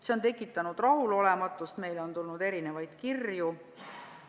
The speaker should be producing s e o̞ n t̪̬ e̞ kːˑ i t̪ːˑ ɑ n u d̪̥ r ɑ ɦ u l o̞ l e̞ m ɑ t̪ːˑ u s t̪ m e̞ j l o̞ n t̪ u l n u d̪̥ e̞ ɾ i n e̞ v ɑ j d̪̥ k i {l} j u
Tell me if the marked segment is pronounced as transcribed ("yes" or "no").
no